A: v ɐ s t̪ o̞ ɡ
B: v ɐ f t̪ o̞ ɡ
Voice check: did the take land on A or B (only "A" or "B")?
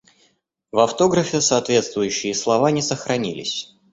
B